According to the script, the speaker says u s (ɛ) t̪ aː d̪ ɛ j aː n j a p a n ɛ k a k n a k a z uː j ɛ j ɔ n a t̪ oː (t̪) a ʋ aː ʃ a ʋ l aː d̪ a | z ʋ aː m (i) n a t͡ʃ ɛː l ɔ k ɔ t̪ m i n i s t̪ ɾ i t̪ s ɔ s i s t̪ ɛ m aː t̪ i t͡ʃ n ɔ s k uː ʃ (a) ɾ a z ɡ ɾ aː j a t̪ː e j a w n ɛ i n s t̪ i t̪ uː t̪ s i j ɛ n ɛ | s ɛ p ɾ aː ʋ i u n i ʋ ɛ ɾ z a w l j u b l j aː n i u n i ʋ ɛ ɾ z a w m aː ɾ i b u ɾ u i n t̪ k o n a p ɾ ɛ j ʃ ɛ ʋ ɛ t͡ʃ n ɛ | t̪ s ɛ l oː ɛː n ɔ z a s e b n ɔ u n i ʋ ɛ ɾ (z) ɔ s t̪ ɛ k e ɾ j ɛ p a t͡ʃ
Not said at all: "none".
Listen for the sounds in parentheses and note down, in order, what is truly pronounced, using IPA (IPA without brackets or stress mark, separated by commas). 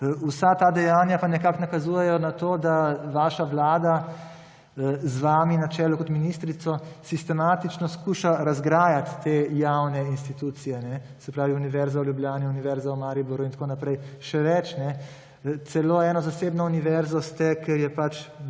a, d̪, i, a, z